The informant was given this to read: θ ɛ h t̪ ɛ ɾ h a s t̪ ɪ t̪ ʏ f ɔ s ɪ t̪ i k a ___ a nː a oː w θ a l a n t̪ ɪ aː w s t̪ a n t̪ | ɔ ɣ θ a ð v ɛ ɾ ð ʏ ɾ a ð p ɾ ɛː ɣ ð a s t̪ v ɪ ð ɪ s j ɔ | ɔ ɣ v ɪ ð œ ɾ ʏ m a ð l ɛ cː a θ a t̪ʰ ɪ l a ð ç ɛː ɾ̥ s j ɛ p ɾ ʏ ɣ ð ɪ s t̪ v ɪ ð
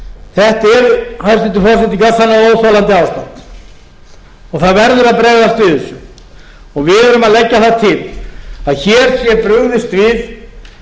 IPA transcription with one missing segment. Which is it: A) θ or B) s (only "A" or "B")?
B